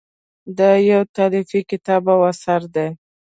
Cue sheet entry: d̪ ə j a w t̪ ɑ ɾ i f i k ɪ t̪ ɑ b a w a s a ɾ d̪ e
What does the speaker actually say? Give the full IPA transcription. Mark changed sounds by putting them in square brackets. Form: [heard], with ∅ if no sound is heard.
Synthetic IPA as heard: d̪ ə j a w t̪ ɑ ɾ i f i k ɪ t̪ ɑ b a w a s a ɾ d̪ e

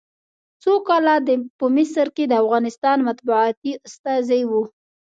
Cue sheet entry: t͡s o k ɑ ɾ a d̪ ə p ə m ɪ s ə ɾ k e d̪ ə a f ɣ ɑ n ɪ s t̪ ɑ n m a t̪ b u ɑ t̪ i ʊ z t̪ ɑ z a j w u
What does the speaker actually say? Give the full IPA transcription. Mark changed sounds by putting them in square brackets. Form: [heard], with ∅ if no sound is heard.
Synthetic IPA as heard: t͡s o k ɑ [l] a d̪ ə p ə m ɪ s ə ɾ k e d̪ ə a f ɣ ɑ n ɪ s t̪ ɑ n m a t̪ b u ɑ t̪ i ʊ [s] t̪ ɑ z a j w u

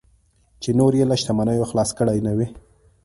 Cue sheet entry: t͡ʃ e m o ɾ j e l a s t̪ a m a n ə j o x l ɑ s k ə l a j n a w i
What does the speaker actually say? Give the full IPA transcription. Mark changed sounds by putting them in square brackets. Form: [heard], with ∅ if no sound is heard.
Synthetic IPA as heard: t͡ʃ e [n] o ɾ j e l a [ʃ] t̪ a m a n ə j o x l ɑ s k ə [ɽ] a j n a w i

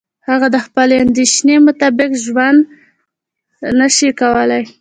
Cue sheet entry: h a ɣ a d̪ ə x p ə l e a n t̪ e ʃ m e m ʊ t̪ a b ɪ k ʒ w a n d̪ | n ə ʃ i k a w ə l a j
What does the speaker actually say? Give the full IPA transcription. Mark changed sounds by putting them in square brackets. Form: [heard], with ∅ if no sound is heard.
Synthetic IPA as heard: h a ɣ a d̪ ə x p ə l e a n [d̪] e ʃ [n] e m ʊ t̪ a b ɪ k ʒ w a n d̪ | n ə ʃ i k a w ə l a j

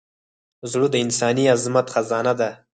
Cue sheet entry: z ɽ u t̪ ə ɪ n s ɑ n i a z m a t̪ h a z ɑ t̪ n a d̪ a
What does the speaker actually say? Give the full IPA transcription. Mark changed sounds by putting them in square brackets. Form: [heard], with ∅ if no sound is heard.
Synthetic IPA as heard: z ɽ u [d̪] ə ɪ n s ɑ n i a z m a t̪ [x] a z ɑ [∅] n a d̪ a

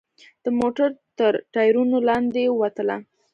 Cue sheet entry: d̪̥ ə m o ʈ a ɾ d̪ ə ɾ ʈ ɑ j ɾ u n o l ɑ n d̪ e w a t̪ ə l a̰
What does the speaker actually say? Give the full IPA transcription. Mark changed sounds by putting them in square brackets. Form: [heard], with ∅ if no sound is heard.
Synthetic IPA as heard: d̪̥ ə m o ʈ a ɾ [t̪] ə ɾ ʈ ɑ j ɾ u n o l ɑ n d̪ e w a t̪ ə l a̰

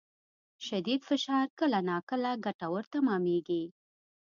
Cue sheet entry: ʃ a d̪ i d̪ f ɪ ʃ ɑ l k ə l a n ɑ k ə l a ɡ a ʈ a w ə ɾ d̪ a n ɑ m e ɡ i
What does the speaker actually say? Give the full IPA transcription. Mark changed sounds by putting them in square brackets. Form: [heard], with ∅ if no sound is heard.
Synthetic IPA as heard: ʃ a d̪ i d̪ f ɪ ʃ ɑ [ɾ] k ə l a n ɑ k ə l a ɡ a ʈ a w ə ɾ [t̪] a [m] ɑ m e ɡ i

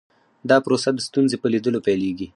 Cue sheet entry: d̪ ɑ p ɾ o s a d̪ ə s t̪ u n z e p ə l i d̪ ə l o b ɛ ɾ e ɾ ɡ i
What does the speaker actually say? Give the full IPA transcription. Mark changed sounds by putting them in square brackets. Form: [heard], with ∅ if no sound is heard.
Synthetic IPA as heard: d̪ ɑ p ɾ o s a d̪ ə s t̪ u n z e p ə l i d̪ ə l o [p] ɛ [l] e [∅] ɡ i

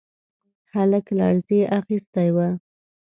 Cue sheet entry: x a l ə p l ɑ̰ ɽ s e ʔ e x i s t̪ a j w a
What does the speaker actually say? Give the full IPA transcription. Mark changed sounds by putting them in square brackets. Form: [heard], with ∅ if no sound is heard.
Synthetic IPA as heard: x a l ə [k] l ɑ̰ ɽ [z] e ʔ [a] x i s t̪ a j w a

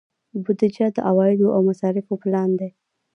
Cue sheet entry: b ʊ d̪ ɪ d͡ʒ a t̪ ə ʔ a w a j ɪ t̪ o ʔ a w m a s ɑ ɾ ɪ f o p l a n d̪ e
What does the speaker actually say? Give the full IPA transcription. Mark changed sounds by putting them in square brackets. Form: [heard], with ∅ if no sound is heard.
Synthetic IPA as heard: b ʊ d̪ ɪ d͡ʒ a [d̪] ə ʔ a w [ɑ] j ɪ [d̪] o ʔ a w m a s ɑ ɾ ɪ f o p l [ɑ] n d̪ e

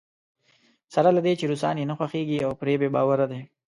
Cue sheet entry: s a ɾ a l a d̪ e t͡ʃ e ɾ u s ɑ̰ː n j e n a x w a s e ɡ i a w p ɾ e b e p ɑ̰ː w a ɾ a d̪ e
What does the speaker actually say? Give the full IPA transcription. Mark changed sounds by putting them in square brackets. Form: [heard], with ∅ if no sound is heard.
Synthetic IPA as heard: s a ɾ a l a d̪ e t͡ʃ e ɾ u s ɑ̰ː n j e n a x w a [x] e ɡ i a w p ɾ e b e [b] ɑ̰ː w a ɾ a d̪ e

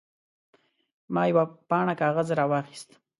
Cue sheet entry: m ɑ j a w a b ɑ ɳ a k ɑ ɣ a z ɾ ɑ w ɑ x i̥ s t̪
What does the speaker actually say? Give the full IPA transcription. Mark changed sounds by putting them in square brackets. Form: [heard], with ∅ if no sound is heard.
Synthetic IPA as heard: m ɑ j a w a [p] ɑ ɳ a k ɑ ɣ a z ɾ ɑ w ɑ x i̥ s t̪

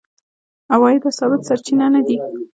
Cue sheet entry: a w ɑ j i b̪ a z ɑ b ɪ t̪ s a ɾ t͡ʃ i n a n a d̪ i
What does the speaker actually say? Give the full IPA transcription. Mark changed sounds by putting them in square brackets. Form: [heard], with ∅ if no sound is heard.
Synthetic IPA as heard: a w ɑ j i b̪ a [s] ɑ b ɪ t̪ s a ɾ t͡ʃ i n a n a d̪ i

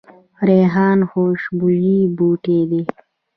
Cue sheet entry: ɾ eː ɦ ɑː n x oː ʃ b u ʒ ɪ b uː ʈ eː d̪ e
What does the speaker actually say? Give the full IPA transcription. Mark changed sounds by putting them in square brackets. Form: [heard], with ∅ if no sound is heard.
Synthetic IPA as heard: ɾ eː ɦ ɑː n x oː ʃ b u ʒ [i] b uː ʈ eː d̪ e

